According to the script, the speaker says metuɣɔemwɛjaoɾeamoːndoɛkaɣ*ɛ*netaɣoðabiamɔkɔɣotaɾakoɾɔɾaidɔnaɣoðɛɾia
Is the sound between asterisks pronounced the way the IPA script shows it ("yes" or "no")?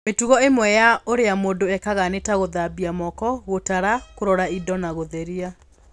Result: no